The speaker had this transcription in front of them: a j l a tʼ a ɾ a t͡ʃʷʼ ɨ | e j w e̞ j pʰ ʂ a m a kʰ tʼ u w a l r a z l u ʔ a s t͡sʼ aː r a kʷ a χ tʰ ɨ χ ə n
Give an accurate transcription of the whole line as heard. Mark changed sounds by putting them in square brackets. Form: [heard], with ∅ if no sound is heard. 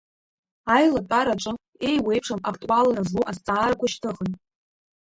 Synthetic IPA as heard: a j l a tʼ a ɾ a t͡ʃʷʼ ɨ | e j w e̞ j pʰ ʂ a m a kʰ tʼ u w a l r a z l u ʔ a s t͡sʼ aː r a kʷ a [ʃ] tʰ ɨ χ ə n